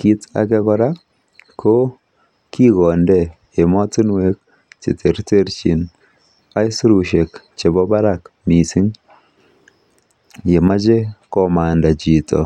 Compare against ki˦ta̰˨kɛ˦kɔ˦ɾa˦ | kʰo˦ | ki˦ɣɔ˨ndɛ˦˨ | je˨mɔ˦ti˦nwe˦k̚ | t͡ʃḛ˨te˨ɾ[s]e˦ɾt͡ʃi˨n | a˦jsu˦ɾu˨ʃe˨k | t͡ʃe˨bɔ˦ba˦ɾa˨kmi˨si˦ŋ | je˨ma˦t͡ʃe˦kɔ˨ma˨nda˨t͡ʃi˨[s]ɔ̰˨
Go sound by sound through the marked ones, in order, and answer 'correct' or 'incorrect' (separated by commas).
incorrect, incorrect